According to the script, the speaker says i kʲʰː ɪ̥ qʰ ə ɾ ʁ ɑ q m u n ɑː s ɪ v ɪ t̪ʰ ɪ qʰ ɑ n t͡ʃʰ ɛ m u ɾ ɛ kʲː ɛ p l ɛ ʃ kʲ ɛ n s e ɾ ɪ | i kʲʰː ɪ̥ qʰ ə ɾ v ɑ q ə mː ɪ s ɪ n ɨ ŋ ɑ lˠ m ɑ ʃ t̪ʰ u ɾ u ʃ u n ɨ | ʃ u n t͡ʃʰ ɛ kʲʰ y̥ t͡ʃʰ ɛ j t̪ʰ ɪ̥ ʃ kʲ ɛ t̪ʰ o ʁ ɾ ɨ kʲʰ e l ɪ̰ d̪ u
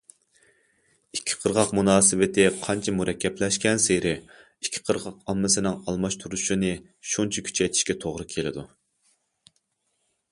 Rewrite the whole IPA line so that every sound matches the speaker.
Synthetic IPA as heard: i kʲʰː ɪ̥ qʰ ə ɾ ʁ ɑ q m u n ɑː s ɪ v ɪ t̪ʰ ɪ qʰ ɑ n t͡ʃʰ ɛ m u ɾ ɛ kʲː ɛ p l ɛ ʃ kʲ ɛ n s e ɾ ɪ | i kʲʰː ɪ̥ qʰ ə ɾ ʁ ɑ q ɑ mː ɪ s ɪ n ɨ ŋ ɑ lˠ m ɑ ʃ t̪ʰ u ɾ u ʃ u n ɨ | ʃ u n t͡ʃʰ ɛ kʲʰ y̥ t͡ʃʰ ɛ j t̪ʰ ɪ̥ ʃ kʲ ɛ t̪ʰ o ʁ ɾ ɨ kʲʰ e l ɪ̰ d̪ u